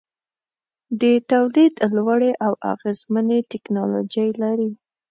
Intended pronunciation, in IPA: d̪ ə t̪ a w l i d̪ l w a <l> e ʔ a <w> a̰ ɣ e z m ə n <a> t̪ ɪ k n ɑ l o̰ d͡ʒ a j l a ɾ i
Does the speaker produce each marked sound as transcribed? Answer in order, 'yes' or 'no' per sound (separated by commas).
no, yes, no